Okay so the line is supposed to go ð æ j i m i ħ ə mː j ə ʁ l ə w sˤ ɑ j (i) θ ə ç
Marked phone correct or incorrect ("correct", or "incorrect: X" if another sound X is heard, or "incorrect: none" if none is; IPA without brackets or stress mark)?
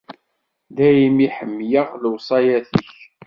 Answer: incorrect: æ